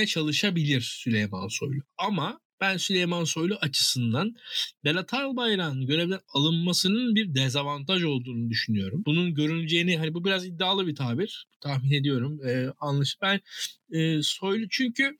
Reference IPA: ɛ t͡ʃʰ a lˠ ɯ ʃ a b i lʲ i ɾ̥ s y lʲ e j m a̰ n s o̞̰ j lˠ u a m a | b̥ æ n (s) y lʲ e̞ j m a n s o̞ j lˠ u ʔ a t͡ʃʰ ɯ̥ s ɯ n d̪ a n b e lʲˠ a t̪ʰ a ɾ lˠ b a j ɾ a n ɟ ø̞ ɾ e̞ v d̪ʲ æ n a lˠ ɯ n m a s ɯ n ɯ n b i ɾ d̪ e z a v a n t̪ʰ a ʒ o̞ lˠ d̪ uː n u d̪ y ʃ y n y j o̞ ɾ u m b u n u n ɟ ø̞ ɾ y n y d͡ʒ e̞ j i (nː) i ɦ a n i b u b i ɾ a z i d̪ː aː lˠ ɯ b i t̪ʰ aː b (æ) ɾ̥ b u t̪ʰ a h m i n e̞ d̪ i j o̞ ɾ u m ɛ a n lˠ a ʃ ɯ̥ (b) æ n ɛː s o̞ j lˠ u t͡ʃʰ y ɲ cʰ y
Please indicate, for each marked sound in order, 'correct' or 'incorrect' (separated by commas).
correct, incorrect, incorrect, correct